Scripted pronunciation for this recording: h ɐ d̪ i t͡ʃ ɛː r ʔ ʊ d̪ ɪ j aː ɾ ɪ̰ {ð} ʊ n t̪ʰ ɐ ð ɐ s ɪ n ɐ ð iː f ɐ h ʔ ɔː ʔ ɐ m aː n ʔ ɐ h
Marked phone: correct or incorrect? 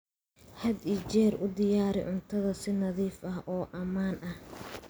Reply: incorrect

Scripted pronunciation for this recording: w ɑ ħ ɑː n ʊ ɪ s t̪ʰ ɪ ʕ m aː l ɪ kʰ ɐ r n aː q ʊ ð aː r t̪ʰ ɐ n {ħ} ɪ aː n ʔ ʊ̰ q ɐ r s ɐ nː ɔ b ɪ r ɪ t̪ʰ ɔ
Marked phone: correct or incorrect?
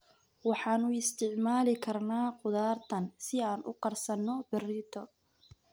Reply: incorrect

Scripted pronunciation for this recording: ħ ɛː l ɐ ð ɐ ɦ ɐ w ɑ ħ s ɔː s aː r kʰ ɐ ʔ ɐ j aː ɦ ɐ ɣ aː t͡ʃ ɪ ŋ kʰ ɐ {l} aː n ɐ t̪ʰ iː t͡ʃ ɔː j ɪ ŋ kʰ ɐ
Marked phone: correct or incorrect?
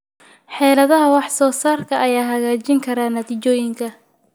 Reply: incorrect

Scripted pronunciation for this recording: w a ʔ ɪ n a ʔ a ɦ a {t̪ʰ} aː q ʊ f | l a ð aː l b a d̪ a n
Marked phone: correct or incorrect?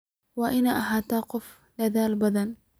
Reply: incorrect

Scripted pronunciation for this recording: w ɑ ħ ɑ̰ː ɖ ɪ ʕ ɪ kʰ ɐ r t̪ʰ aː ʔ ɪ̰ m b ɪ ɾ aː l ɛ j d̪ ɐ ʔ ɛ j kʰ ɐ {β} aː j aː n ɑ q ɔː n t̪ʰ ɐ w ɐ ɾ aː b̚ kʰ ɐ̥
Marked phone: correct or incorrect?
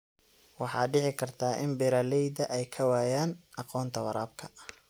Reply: incorrect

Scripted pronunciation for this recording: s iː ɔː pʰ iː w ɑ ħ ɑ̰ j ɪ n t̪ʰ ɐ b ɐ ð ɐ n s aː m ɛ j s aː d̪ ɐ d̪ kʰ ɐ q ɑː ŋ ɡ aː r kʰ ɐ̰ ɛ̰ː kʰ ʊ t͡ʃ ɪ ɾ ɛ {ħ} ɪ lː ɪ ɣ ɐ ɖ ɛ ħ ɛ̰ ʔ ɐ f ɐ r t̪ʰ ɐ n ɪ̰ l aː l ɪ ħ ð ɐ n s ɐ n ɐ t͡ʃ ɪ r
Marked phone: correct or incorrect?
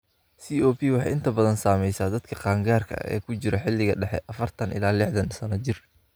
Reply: correct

